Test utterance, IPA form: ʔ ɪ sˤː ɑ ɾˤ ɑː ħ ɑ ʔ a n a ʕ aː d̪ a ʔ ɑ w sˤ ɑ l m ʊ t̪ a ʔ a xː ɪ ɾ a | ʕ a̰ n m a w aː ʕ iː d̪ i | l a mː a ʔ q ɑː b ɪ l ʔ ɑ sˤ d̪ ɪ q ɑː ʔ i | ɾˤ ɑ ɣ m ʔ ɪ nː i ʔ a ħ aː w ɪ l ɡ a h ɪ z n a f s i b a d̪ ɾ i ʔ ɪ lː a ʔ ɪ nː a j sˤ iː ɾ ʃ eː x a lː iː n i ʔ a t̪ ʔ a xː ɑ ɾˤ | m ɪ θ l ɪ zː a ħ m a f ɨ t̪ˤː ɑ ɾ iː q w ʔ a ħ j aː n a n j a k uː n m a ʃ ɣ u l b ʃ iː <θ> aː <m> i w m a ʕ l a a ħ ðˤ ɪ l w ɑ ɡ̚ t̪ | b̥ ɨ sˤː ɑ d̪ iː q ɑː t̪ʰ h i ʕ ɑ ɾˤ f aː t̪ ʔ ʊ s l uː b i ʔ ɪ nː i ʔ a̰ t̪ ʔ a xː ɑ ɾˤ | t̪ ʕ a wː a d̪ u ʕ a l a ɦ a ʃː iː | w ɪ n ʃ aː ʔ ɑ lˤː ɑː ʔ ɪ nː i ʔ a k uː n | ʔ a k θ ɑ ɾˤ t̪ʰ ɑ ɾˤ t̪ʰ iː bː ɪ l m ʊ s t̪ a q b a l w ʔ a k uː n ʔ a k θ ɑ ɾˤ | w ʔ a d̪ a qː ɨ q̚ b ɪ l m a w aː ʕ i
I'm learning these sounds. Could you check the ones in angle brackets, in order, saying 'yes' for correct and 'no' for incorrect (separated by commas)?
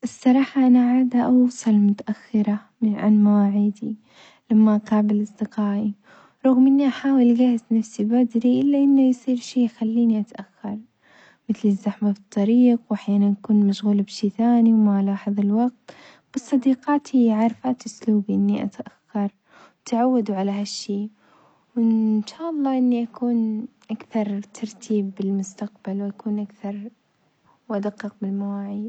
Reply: yes, no